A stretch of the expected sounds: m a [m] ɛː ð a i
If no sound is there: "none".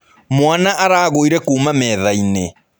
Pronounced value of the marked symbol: m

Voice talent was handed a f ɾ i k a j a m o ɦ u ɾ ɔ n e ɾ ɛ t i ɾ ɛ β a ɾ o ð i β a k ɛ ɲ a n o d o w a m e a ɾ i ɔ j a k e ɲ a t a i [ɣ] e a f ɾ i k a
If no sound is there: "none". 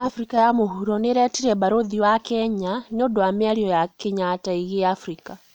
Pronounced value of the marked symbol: ɣ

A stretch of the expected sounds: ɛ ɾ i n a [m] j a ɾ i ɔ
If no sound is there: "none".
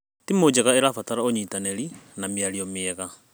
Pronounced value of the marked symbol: m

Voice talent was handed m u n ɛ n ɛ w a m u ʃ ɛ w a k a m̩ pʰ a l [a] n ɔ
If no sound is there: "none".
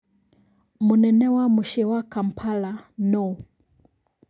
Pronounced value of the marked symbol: a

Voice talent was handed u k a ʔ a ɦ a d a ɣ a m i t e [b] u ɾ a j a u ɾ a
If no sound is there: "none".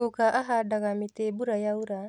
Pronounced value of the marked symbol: b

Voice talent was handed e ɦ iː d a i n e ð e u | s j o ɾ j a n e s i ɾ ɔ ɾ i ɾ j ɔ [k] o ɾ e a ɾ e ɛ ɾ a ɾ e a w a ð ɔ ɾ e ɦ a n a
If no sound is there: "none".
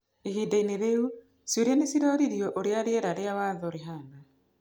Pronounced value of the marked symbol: ʔ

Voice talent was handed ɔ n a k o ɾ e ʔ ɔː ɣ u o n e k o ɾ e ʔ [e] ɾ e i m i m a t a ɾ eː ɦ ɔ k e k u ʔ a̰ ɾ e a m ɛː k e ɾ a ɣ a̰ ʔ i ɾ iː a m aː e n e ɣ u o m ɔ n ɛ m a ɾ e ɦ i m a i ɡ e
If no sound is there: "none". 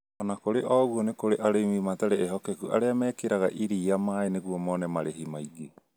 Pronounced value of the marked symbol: a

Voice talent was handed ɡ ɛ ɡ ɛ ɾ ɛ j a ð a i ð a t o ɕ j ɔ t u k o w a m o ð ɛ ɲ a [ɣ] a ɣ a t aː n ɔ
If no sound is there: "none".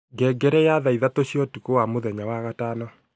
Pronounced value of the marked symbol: w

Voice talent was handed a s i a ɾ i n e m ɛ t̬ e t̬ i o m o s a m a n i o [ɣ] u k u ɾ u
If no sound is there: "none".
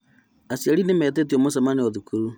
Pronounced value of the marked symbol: ð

